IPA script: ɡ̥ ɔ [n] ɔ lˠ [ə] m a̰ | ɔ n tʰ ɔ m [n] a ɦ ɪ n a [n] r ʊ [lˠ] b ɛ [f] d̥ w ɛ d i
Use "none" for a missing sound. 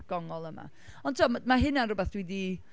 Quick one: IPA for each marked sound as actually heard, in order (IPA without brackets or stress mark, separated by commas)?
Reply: ŋ, ə, m, n, none, θ